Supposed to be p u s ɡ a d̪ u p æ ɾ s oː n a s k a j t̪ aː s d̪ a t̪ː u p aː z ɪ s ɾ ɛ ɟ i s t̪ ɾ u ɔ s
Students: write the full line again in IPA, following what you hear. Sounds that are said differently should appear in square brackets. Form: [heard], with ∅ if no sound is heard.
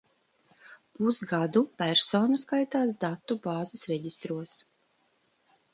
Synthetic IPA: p u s ɡ a d̪ u p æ ɾ s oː n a s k a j t̪ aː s d̪ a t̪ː u [b] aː z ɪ s ɾ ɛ ɟ i s t̪ ɾ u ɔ s